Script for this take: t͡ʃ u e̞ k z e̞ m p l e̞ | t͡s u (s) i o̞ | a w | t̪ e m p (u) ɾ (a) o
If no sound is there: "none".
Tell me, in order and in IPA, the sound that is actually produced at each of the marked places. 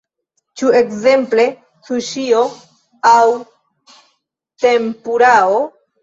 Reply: ʃ, u, a

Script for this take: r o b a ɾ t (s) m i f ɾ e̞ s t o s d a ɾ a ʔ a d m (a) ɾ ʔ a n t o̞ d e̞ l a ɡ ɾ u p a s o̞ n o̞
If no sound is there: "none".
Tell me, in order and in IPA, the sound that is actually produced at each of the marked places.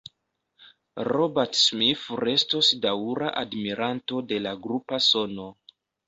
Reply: s, i

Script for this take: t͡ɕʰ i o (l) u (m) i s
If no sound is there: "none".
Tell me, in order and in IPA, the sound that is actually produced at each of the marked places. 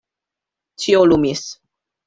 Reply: l, m

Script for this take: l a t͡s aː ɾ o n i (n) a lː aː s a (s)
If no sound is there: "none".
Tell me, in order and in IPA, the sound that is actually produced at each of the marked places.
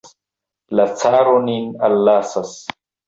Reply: n, s

